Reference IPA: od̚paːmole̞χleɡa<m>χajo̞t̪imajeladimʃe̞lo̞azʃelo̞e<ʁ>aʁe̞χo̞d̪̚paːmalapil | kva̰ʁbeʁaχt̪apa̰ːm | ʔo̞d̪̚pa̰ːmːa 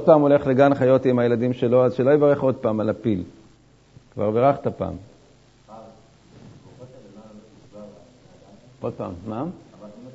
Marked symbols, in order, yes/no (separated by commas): no, no